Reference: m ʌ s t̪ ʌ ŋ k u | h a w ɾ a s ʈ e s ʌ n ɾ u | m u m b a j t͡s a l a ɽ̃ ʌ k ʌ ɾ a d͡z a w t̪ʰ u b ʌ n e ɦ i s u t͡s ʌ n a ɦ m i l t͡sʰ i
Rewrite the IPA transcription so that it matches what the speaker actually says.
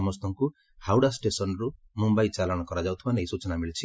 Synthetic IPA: m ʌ s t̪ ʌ ŋ k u | h a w ɽ a s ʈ e s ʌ n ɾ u | m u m b a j t͡s a l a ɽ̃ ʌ k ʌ ɾ a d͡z a w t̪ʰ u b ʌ n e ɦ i s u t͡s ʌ n a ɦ m i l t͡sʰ i